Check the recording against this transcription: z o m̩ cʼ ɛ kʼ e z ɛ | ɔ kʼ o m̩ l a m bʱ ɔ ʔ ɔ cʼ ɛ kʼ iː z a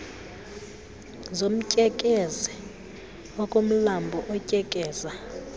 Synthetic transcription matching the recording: z o m̩ cʼ ɛ kʼ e z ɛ | ɔ kʼ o m̩ l a m bʱ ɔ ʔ ɔ cʼ ɛ kʼ ɛː z a